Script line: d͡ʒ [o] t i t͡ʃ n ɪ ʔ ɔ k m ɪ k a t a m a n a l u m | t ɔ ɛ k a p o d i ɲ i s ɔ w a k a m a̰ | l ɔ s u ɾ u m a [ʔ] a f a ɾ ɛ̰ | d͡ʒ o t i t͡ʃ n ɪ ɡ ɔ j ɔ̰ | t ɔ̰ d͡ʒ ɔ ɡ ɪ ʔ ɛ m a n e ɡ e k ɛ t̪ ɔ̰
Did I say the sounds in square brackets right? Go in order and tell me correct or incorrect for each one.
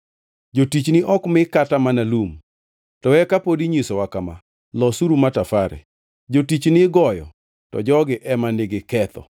correct, incorrect

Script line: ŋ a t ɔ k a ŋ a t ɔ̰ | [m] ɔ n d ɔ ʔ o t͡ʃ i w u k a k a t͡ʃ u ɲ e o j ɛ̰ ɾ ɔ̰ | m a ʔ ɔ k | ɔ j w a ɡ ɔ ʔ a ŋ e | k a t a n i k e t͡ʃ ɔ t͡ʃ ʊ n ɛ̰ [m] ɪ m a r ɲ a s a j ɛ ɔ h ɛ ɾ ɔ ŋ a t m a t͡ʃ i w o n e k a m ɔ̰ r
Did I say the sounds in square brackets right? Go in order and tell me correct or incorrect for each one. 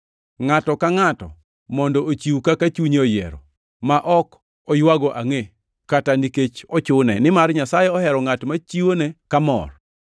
correct, incorrect

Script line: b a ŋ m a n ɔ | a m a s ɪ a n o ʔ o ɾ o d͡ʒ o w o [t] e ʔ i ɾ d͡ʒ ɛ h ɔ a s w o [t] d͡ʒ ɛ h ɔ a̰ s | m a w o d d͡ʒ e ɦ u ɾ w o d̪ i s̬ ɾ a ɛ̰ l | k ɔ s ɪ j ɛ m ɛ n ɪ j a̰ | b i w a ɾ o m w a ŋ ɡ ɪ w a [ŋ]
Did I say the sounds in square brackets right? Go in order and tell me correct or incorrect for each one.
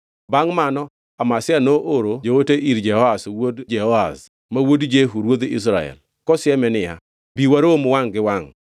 correct, incorrect, correct

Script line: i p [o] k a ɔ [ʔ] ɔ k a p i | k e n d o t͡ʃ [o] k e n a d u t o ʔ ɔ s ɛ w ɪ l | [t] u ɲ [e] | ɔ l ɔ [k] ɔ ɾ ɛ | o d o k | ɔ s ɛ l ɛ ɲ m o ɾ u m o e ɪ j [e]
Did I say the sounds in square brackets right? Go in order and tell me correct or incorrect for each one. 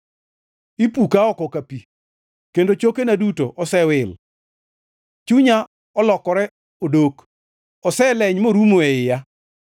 incorrect, incorrect, correct, incorrect, incorrect, correct, incorrect

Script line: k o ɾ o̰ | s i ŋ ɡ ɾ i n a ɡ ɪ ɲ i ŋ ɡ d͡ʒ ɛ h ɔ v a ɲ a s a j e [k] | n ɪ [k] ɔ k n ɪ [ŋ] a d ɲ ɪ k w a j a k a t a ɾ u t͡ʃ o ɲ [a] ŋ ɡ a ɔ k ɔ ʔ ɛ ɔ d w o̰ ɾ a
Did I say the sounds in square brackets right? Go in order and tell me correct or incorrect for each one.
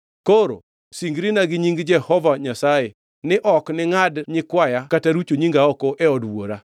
incorrect, incorrect, correct, incorrect

